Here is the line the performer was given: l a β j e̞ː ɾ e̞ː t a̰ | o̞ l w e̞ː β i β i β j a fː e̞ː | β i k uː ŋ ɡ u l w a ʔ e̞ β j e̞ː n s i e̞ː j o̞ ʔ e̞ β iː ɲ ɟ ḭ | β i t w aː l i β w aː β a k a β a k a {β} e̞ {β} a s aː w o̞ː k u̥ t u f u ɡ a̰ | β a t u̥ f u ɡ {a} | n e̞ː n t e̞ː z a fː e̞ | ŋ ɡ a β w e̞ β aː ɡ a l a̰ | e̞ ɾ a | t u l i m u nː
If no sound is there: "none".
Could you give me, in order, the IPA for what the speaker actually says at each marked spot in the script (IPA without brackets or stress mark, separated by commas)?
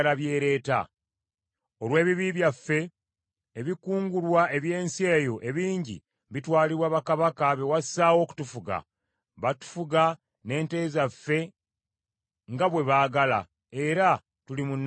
β, w, a